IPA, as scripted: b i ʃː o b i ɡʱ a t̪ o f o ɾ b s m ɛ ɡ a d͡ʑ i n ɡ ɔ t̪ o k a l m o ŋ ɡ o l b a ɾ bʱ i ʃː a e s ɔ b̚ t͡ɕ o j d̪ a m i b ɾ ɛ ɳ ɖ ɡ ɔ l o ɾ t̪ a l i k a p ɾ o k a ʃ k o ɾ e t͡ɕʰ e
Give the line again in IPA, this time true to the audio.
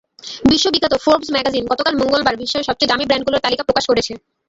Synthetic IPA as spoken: b i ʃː o b i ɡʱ a t̪ o f o ɾ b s m ɛ ɡ a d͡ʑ i n ɡ ɔ t̪ o k a l m o ŋ ɡ o l b a ɾ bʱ i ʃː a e ʃ ɔ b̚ t͡ɕ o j d̪ a m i b ɾ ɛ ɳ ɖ ɡ u l o ɾ t̪ a l i k a p ɾ o k a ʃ k o ɾ e t͡ɕʰ e

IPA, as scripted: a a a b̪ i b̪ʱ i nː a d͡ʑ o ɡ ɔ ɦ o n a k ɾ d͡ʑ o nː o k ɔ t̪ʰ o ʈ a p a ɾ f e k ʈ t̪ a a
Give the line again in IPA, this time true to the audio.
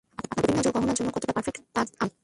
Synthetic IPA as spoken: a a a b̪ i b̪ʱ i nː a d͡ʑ o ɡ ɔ ɦ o n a ɾ d͡ʑ o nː o k ɔ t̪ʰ o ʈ a p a ɾ f e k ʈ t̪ a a

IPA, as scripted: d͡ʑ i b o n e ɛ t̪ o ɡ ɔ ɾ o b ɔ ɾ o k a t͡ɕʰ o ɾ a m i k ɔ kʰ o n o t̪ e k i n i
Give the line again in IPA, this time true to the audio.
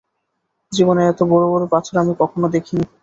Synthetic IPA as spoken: d͡ʑ i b o n e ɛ t̪ o b ɔ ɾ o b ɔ ɾ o p a t͡ɕʰ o ɾ a m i k ɔ kʰ o n o d̪ e kʰ i n i

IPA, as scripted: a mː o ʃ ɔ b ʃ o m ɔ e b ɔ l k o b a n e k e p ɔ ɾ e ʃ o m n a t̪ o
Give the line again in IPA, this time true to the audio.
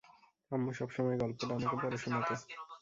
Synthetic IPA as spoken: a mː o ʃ ɔ b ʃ ɔ m ɔ e ɡ ɔ l p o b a n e k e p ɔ ɾ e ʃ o n a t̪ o

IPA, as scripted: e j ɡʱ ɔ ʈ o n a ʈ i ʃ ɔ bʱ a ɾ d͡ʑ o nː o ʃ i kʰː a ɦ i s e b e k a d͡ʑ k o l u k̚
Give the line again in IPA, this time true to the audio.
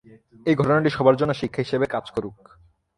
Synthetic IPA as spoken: e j ɡʱ ɔ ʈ o n a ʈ i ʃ ɔ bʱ a ɾ d͡ʑ o nː o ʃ i kʰː a ɦ i ʃ e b e k a d͡ʑ k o ɾ u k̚

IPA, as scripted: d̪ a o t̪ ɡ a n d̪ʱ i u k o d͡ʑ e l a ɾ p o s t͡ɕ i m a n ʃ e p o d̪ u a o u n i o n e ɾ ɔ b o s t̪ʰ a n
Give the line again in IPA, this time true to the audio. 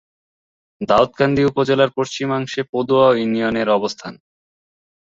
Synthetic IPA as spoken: d̪ a o t̪ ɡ a n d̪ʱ i u p o d͡ʑ e l a ɾ p o ʃ t͡ɕ i m a ŋ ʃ e p o d̪ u a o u n i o n e ɾ ɔ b o s t̪ʰ a n

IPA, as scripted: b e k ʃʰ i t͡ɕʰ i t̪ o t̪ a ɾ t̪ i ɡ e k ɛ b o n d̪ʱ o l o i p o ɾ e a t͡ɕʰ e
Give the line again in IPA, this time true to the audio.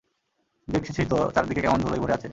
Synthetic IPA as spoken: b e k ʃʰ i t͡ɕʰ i t̪ o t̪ a ɾ d̪ i k e k ɛ m o n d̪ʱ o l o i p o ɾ e a t͡ɕʰ e

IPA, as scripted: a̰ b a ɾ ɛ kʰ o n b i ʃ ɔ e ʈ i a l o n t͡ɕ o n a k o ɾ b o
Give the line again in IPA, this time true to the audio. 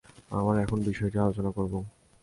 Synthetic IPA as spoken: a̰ m a ɾ ɛ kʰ o n b i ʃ ɔ e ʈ i a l o t͡ɕ o n a k o ɾ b o

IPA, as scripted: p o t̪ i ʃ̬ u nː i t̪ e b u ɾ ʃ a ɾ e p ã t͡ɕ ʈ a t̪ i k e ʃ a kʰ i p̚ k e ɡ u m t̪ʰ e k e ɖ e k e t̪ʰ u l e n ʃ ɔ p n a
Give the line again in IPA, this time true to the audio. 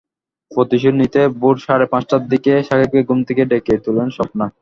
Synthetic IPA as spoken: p o t̪ i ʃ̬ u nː i t̪ e b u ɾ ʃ a ɾ e p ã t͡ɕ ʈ a d̪ i k e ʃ a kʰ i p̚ k e ɡ u m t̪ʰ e k e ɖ e k e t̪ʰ u l e n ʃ ɔ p n a

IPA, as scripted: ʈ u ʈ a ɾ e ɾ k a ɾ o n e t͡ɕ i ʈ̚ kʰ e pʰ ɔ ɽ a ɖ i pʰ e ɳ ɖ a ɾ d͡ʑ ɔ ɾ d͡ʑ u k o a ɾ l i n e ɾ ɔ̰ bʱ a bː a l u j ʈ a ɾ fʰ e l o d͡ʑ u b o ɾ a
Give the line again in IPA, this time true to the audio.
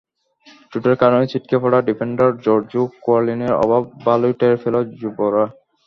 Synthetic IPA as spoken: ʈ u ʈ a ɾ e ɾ k a ɾ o n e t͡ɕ i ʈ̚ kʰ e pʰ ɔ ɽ a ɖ i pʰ e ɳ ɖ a ɾ d͡ʑ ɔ ɾ d͡ʑ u k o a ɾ l i n e ɾ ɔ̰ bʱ a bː a l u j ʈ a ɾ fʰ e l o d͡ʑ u b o ɾ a

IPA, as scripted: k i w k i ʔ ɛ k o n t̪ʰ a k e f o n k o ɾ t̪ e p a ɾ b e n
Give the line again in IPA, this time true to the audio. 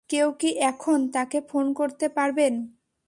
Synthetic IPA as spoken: k e w k i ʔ ɛ kʰ o n t̪ a k e f o n k o ɾ t̪ e p a ɾ b e n

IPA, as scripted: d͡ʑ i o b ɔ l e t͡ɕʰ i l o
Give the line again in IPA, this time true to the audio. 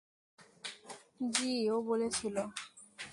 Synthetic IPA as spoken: d͡ʑ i o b o l e t͡ɕʰ i l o

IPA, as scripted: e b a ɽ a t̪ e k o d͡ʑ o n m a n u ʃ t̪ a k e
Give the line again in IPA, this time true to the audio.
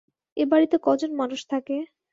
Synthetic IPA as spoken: e b a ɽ i t̪ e k ɔ d͡ʑ o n m a n u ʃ t̪ʰ a k e

